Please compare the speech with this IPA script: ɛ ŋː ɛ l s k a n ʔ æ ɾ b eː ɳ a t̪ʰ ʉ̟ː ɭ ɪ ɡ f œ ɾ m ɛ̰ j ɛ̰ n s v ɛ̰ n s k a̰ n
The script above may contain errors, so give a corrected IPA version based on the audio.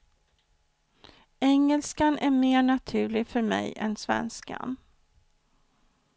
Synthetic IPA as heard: ɛ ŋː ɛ l s k a n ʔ æ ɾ m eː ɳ a t̪ʰ ʉ̟ː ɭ ɪ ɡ f œ ɾ m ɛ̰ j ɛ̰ n s v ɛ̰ n s k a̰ n